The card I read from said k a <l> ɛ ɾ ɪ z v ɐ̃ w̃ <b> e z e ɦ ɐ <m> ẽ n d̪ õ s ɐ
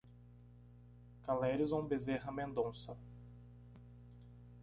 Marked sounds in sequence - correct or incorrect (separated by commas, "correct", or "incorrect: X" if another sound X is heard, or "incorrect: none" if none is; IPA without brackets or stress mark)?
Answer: correct, correct, correct